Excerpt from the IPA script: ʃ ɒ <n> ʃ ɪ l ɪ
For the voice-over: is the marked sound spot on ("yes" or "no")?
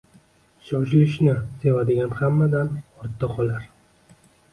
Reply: no